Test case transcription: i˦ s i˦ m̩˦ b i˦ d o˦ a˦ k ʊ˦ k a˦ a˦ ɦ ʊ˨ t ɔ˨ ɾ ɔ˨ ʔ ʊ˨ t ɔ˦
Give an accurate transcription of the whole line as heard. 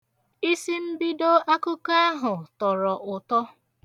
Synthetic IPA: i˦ s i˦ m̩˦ b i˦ d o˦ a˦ k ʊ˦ k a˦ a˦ ɦ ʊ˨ t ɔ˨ ɾ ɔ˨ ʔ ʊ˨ t ɔ˦